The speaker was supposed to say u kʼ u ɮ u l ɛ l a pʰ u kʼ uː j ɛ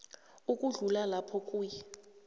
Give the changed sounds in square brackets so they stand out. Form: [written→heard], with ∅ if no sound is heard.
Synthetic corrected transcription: u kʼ u ɮ u l [ɛ→a] l a pʰ [u→ɔ] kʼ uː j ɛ